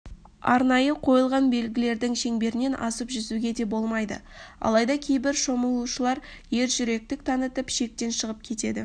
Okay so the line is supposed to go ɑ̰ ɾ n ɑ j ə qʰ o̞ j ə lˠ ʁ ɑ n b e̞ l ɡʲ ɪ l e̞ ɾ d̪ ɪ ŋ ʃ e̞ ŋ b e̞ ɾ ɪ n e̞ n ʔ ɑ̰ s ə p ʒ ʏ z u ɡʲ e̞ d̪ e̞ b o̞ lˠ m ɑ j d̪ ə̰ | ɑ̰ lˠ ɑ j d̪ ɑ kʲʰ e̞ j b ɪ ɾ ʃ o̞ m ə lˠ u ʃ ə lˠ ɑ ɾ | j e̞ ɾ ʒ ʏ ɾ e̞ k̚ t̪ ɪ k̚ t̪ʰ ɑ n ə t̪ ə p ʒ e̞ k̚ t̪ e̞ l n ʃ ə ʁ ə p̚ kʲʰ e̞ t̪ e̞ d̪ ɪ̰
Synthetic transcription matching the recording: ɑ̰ ɾ n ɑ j ə qʰ o̞ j ə lˠ ʁ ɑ n b e̞ l ɡʲ ɪ l e̞ ɾ d̪ ɪ ŋ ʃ e̞ ŋ b e̞ ɾ ɪ n e̞ n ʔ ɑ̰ s ə p ʒ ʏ z u ɡʲ e̞ d̪ e̞ b o̞ lˠ m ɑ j d̪ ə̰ | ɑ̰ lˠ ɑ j d̪ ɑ kʲʰ e̞ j b ɪ ɾ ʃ o̞ m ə lˠ u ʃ ə lˠ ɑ ɾ | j e̞ ɾ ʒ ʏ ɾ e̞ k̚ t̪ ɪ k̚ t̪ʰ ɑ n ə t̪ ə p ʃ e̞ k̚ t̪ e̞ n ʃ ə ʁ ə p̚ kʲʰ e̞ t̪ e̞ d̪ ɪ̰